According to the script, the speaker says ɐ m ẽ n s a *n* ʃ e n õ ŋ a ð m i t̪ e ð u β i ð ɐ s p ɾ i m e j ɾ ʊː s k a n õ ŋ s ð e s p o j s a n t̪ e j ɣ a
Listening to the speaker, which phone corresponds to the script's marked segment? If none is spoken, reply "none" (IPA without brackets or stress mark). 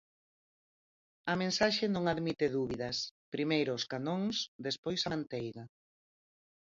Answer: none